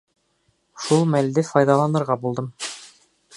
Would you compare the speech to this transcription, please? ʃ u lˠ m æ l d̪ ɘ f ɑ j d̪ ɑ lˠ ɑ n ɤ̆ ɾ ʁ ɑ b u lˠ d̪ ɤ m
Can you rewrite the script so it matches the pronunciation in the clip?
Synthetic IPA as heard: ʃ u lˠ m æ l d̪ ɘ f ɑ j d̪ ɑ lˠ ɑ n ɤ̆ ɾ ʁ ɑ b u lˠ d̪ ɤ m